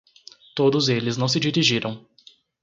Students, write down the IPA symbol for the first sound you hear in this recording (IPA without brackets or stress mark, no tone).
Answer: t̪